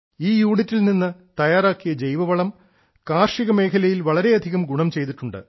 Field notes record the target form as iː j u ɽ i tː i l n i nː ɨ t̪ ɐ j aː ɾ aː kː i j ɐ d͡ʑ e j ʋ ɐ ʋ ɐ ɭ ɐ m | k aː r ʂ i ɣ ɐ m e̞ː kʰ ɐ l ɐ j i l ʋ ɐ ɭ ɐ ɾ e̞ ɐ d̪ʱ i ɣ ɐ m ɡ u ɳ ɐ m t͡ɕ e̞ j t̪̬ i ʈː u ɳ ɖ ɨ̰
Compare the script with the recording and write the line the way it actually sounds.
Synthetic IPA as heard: iː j uː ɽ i tː i l n i nː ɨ t̪ ɐ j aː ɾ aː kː i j ɐ d͡ʑ e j ʋ ɐ ʋ ɐ ɭ ɐ m | k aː r ʂ i ɣ ɐ m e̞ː kʰ ɐ l ɐ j i l ʋ ɐ ɭ ɐ ɾ e̞ ɐ d̪ʱ i ɣ ɐ m ɡ u ɳ ɐ m t͡ɕ e̞ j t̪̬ i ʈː u ɳ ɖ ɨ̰